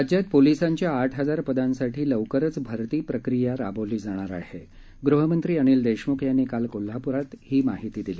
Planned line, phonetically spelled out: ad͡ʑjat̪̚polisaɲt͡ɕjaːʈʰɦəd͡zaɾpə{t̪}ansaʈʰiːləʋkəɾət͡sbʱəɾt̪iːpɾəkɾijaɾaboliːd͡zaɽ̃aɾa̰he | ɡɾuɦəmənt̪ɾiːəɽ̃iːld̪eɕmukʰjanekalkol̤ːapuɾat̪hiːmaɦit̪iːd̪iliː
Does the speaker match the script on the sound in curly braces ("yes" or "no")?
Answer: no